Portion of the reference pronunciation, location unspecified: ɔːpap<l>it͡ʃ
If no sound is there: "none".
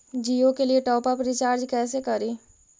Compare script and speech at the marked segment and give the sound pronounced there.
ɾ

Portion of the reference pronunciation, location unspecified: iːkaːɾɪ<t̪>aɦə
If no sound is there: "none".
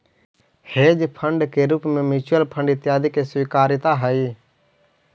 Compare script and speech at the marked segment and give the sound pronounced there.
t̪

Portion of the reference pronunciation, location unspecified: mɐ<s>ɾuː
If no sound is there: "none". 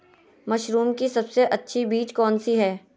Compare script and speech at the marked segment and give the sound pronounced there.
ʃ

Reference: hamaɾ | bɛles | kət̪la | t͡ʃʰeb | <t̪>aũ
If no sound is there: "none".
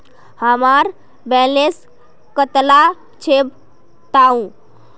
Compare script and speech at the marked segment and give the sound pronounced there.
t̪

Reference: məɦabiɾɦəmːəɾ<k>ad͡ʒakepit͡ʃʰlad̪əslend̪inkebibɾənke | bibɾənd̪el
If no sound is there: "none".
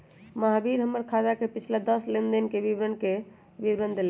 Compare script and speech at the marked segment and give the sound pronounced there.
kʰ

